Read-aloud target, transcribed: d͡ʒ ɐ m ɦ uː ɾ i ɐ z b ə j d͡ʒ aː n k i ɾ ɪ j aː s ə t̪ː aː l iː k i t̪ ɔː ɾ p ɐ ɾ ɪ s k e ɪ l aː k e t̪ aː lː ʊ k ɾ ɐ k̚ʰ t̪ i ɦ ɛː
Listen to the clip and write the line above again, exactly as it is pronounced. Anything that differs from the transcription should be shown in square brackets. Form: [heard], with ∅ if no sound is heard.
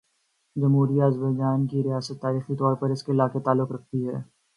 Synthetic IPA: d͡ʒ ɐ m ɦ uː ɾ i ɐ z b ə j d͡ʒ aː n k i ɾ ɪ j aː s ə t̪ː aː [ɾ] iː [x] i t̪ ɔː ɾ p ɐ ɾ ɪ s k e ɪ l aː k e t̪ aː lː ʊ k ɾ ɐ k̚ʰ t̪ i ɦ ɛː